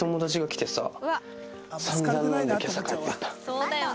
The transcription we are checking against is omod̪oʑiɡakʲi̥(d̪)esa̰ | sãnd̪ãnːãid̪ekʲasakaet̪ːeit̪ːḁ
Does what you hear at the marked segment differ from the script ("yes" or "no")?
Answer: yes